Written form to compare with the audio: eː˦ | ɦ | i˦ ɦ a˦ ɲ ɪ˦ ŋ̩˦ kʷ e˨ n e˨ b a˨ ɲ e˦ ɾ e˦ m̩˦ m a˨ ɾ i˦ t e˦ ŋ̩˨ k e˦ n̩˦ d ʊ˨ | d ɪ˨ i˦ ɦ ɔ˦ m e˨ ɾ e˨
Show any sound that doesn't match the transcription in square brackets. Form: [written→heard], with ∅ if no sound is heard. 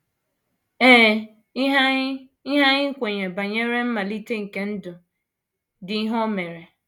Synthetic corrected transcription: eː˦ | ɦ | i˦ ɦ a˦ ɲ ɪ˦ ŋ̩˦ kʷ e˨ [n→ɲ] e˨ b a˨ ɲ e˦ ɾ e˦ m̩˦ m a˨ [ɾ→l] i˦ t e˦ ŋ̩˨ k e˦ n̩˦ d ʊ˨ | d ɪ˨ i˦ ɦ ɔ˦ m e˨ ɾ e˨

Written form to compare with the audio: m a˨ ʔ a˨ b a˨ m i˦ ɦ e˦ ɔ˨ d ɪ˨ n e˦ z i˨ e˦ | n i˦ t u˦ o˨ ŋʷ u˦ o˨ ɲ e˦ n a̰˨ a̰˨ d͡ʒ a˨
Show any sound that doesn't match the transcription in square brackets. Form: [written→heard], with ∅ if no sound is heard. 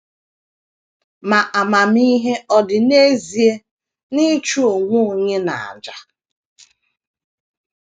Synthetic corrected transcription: m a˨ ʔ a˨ [b→m] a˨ m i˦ ɦ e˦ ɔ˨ d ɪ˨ n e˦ z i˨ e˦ | n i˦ [t→t͡ʃ] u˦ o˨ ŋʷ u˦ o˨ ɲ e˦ n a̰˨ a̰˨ d͡ʒ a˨

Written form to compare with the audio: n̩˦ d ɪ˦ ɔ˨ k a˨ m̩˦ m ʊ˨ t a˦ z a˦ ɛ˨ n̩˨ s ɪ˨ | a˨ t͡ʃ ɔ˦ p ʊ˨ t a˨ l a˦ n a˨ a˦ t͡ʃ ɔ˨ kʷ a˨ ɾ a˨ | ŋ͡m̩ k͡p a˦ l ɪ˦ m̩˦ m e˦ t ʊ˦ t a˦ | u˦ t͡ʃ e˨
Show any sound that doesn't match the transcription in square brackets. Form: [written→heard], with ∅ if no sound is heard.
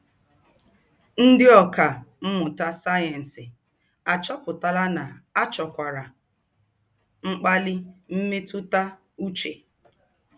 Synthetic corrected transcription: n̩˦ d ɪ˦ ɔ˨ k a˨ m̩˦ m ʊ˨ t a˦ [z→s] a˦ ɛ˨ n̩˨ s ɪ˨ | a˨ t͡ʃ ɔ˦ p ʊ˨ t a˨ l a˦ n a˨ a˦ t͡ʃ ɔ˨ kʷ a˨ ɾ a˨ | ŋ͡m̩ k͡p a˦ l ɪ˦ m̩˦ m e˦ t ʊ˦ t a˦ | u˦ t͡ʃ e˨

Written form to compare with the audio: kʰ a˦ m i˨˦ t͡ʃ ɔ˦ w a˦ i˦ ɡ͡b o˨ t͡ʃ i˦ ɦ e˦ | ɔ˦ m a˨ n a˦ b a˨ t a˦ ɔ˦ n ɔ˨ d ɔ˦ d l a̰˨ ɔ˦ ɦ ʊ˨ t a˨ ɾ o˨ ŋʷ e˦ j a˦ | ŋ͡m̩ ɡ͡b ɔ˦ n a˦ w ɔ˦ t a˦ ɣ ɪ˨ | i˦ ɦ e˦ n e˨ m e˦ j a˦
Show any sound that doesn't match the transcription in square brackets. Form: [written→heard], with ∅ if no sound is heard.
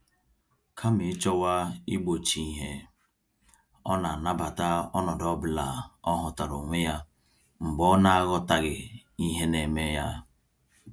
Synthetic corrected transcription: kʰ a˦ m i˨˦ t͡ʃ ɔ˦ w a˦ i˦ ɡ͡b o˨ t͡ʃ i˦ ɦ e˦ | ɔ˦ [m→n] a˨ n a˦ b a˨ t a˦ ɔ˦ n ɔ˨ d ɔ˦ [d→b] l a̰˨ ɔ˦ ɦ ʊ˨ t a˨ ɾ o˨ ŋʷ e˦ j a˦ | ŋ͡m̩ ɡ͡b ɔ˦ n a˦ [w→ɣ] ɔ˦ t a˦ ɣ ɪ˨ | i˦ ɦ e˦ n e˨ m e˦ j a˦

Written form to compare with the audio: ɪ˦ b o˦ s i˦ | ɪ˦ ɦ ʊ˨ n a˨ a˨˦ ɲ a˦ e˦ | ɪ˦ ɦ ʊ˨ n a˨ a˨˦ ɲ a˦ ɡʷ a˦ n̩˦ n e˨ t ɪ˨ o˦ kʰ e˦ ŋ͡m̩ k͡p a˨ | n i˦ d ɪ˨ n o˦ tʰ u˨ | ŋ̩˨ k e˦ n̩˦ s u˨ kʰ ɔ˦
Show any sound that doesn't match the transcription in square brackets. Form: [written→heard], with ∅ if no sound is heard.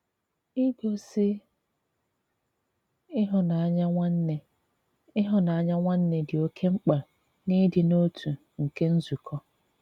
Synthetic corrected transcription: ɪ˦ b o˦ s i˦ | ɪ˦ ɦ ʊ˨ n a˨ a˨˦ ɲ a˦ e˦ | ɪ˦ ɦ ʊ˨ n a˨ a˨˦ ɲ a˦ [ɡʷ→ŋʷ] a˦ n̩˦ n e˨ [t→d] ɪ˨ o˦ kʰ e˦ ŋ͡m̩ k͡p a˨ | n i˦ d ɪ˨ n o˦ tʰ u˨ | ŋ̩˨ k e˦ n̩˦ [s→z] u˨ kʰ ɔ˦

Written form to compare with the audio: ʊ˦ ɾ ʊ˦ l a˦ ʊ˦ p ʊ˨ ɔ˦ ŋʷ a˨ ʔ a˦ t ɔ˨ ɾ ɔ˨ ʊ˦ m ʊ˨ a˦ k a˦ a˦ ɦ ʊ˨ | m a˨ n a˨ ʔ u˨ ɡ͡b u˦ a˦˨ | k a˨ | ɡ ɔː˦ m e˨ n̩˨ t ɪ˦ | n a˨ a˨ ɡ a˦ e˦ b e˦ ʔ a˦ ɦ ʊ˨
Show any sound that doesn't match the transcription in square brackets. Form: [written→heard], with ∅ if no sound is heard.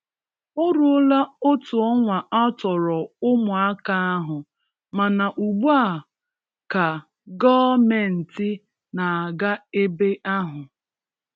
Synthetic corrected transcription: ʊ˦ ɾ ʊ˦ l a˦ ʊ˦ [p→t] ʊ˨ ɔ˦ ŋʷ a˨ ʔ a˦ t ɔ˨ ɾ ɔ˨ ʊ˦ m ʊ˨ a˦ k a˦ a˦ ɦ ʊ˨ | m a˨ n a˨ ʔ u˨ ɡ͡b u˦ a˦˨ | k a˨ | ɡ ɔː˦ m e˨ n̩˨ t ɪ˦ | n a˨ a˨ ɡ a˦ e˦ b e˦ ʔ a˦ ɦ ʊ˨

